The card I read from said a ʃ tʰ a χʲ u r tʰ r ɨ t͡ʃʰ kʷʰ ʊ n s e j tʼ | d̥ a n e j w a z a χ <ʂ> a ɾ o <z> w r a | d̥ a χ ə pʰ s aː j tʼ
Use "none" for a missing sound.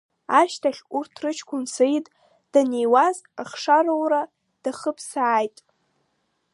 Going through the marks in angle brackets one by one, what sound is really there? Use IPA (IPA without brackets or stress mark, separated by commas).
ʂ, none